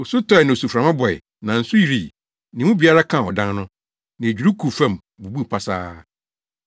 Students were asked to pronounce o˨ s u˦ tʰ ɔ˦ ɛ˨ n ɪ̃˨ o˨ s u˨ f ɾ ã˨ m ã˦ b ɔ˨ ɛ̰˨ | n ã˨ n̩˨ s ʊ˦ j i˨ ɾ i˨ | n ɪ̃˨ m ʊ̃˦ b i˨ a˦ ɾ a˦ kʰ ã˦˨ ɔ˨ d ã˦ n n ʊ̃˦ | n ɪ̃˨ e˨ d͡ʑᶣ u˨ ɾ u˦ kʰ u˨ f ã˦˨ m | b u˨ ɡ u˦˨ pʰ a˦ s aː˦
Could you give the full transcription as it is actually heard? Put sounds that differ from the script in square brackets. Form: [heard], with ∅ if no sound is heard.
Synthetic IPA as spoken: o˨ s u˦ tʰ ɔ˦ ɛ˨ n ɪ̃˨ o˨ s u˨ f ɾ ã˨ m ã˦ b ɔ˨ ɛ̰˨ | n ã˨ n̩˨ s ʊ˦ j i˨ ɾ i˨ | n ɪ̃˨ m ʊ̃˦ b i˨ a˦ ɾ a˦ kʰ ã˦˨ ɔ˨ d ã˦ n n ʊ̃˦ | n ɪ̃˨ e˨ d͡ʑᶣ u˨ ɾ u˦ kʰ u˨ f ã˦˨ m | b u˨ [b] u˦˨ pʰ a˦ s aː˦